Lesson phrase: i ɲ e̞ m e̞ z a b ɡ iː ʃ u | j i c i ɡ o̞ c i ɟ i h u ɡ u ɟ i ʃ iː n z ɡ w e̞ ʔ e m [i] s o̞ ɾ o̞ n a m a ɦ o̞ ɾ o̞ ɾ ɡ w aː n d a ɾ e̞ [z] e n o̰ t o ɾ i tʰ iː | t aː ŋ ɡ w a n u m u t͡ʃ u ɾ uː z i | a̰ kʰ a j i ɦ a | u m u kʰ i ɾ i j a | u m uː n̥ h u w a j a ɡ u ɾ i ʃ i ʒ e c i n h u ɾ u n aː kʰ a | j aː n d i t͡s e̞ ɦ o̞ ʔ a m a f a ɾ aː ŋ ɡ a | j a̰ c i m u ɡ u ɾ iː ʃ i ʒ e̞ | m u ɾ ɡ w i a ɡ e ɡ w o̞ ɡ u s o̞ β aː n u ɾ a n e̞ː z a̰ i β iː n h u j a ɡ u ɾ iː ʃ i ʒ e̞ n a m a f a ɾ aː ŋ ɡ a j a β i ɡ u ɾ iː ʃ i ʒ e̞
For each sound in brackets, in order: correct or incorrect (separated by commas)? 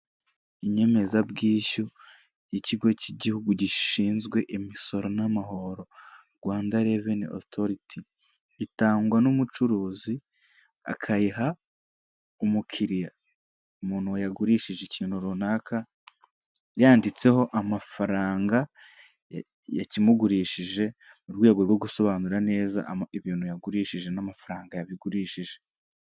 correct, incorrect